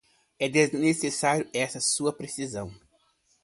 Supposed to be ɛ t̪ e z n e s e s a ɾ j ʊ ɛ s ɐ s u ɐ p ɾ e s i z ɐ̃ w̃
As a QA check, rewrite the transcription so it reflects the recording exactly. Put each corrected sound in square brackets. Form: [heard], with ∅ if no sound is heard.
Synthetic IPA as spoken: ɛ [d̪] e z n e s e s a ɾ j ʊ ɛ s ɐ s u ɐ p ɾ e s i z ɐ̃ w̃